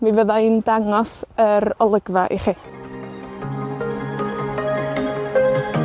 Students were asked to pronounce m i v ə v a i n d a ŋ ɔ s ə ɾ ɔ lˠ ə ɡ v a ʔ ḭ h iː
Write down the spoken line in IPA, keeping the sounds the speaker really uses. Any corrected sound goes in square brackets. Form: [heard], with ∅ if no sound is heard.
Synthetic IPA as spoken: m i v ə [ð] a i n d a ŋ ɔ s ə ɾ ɔ lˠ ə ɡ v a ʔ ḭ [χ] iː